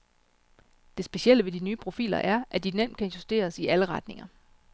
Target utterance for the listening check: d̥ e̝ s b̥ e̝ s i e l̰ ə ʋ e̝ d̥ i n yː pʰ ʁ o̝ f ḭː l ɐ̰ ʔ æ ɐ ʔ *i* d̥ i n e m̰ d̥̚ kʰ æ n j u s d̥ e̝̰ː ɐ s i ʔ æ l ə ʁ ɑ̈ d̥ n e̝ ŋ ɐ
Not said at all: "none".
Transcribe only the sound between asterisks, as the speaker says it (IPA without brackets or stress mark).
æ